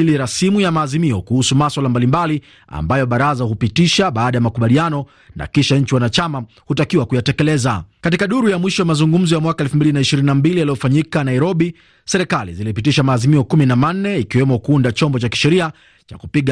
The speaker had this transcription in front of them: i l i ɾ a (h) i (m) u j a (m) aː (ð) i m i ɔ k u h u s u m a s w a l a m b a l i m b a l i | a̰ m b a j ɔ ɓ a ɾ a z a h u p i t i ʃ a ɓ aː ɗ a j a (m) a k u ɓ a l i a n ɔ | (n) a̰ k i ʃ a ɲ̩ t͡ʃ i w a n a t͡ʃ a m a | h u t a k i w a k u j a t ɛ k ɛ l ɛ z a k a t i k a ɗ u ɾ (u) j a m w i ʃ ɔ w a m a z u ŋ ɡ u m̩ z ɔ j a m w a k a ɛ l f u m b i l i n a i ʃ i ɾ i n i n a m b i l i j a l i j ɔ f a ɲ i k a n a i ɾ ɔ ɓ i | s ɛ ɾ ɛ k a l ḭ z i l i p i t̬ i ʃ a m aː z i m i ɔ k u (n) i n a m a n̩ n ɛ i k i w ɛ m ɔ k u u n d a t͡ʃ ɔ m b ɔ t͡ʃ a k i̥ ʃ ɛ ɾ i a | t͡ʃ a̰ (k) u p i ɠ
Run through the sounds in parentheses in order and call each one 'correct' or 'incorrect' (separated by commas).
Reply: incorrect, correct, correct, incorrect, correct, correct, correct, incorrect, correct